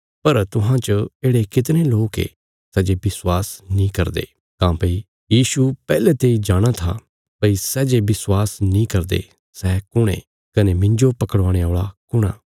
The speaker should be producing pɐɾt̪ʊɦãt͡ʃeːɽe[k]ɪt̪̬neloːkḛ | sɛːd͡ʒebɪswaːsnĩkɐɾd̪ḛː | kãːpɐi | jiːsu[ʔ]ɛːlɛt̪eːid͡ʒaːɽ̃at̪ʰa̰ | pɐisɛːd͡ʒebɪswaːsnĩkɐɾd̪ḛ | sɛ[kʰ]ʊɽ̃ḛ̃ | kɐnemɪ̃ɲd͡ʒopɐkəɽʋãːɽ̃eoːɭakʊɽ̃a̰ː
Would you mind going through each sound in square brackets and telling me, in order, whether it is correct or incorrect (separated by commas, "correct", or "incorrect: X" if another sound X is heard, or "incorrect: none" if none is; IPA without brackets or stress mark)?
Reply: correct, incorrect: p, incorrect: k